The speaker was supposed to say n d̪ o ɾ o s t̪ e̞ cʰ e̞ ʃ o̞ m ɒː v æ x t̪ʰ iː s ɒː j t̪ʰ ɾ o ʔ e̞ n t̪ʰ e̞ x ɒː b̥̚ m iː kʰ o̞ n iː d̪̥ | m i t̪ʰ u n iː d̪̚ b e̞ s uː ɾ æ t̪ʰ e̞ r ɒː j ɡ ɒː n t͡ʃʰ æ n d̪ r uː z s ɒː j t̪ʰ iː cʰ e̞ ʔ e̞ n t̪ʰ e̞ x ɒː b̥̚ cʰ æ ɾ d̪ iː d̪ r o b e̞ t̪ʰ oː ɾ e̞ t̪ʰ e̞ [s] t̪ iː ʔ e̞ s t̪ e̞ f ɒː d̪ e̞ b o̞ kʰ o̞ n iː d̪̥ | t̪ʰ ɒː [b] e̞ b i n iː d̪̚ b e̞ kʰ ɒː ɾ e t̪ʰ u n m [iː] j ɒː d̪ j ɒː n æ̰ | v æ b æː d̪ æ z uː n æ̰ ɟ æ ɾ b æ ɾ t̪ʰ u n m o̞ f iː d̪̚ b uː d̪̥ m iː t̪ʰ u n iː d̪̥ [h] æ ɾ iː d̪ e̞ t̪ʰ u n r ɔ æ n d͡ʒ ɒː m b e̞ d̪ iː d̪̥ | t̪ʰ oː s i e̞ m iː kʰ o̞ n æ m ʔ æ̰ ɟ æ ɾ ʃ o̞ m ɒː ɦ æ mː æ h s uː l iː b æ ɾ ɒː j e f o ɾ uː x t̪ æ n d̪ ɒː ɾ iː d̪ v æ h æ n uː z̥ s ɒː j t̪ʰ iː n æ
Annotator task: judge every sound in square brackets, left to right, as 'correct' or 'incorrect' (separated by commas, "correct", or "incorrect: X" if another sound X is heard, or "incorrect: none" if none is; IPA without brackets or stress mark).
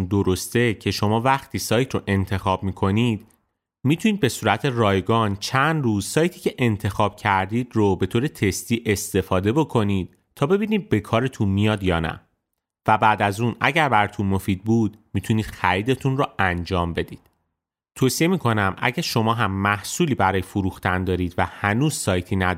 correct, correct, incorrect: i, incorrect: x